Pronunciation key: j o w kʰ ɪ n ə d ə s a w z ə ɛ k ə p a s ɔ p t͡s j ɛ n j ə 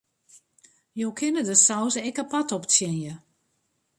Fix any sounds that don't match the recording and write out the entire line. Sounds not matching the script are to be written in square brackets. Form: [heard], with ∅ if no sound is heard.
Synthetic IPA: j o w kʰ ɪ n ə d ə s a w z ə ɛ k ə p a [t] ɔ p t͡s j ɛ n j ə

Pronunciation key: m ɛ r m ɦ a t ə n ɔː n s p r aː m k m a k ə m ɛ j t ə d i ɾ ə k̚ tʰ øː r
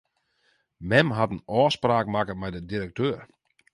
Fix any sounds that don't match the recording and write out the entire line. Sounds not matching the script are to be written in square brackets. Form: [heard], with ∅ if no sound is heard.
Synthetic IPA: m ɛ [∅] m ɦ a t ə n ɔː [∅] s p r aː [∅] k m a k ə m ɛ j [d] ə d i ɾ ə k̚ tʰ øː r

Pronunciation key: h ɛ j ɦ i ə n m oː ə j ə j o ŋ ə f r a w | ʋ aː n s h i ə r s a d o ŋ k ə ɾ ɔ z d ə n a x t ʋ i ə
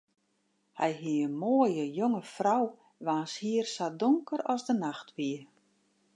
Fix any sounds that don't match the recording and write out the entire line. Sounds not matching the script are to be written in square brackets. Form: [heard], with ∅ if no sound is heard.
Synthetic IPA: h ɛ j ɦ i ə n m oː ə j ə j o ŋ ə f r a w | ʋ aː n s h i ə r s a d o ŋ k ə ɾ ɔ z d ə n a x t ʋ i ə

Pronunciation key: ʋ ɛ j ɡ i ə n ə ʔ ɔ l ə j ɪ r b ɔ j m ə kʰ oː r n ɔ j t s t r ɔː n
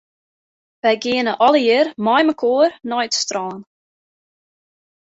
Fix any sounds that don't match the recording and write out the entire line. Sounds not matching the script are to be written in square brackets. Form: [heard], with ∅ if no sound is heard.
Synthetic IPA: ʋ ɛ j ɡ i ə n ə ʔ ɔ l ə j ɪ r [m] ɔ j m ə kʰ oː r n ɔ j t s t r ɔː n

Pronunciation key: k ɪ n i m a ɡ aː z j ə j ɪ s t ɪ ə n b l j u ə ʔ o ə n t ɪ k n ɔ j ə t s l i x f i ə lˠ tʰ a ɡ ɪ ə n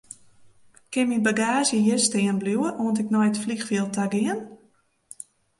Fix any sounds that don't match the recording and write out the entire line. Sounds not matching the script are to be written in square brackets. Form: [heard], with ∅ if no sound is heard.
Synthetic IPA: k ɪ [m] i [b] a ɡ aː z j ə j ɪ s t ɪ ə n b l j u ə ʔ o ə n t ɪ k n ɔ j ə t [f] l i x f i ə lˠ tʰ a ɡ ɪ ə n

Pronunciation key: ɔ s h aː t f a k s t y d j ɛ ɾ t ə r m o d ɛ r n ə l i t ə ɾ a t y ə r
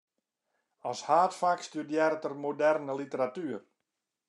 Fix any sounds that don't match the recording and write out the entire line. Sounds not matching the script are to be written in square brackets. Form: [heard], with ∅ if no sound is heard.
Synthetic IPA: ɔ s h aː t f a k s t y d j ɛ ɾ t ə r m o d ɛ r n ə l i t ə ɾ a t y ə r

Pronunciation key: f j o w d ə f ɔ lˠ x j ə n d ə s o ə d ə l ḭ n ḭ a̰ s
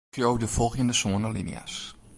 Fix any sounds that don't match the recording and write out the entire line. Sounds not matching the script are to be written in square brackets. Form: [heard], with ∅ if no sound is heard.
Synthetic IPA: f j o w d ə f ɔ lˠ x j ə n d ə s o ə [n] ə l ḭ n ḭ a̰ s

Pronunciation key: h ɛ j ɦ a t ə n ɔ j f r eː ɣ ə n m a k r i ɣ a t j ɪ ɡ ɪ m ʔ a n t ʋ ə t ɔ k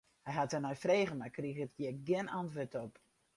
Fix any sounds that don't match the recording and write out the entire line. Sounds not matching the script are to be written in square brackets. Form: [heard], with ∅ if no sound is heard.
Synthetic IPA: h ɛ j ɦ a t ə n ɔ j f r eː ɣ ə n m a k r i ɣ [ə] t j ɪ ɡ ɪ [n] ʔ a n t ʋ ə t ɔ [p]

